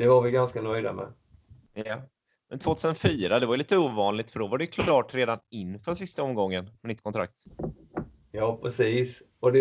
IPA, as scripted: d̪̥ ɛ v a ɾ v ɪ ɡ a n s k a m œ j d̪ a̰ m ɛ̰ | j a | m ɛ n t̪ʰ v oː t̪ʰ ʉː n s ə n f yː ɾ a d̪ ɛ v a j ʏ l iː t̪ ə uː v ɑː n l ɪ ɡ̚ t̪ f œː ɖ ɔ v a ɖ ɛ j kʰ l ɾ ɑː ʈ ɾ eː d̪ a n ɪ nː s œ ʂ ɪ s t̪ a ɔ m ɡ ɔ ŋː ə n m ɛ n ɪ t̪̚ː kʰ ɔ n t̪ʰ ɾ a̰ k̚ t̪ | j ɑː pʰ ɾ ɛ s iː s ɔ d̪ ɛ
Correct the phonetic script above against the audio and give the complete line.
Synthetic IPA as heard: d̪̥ ɛ v a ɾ v ɪ ɡ a n s k a n œ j d̪ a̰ m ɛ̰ | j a | m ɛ n t̪ʰ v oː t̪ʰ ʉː s ə n f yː ɾ a d̪ ɛ v a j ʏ l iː t̪ ə uː v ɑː n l ɪ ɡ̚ t̪ f œ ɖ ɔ v a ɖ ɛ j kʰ l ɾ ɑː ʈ ɾ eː d̪ a n ɪ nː f œ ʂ ɪ s t̪ a ɔ m ɡ ɔ ŋː ə n m ɛ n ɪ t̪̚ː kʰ ɔ n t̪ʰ ɾ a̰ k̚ t̪ | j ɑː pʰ ɾ ɛ s iː s ɔ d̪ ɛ